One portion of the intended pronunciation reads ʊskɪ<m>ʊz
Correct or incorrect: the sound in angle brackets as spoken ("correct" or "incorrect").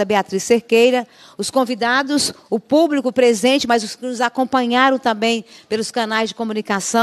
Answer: incorrect